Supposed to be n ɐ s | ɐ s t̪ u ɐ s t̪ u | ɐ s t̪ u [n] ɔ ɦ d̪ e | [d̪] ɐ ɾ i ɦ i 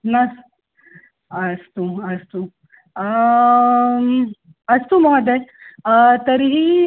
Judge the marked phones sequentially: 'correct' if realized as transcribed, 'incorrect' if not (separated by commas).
incorrect, incorrect